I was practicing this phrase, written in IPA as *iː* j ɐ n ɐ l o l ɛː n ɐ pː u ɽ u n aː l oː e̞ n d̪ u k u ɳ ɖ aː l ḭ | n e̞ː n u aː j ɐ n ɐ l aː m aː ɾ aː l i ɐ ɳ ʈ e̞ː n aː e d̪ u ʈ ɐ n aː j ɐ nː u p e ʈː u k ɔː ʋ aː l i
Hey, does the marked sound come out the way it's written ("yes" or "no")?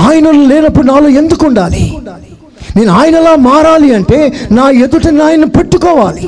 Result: no